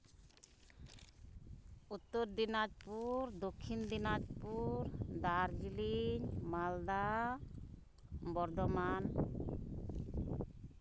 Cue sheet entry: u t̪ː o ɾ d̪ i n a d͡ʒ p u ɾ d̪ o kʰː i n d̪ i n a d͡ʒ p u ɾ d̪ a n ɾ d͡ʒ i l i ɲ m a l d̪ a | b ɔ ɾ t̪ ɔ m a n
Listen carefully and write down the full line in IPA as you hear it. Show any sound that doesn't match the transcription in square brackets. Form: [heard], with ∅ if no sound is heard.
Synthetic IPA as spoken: u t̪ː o ɾ d̪ i n a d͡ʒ p u ɾ d̪ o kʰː i n d̪ i n a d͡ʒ p u ɾ d̪ a [∅] ɾ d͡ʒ i l i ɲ m a l d̪ a | b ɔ ɾ [d̪] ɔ m a n